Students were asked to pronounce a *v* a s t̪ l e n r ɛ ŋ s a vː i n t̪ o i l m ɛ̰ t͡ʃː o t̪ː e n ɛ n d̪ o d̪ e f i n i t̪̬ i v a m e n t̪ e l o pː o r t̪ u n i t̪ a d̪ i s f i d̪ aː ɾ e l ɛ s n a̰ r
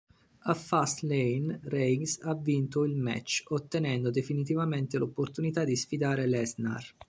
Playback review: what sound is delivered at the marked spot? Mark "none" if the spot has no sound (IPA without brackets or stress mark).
f